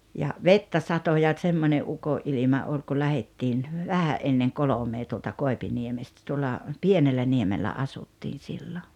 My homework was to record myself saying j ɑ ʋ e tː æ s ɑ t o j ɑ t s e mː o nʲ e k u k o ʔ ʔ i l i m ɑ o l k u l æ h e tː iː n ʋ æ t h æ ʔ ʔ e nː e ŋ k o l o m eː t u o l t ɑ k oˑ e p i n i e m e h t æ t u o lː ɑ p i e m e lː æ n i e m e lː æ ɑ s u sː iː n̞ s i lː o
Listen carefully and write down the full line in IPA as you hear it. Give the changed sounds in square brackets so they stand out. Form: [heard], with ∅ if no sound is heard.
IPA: j ɑ ʋ e tː æ s ɑ t o j ɑ t s e mː o nʲ e [ʔ] u k o ʔ ʔ i l i m ɑ o l k u l æ h e tː iː n ʋ æ [∅] h æ ʔ ʔ e nː e ŋ k o l o m eː t u o l t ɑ k oˑ e p i n i e m e [s] t æ t u o lː ɑ p i e [n] e lː æ n i e m e lː æ ɑ s u [tː] iː n̞ s i lː o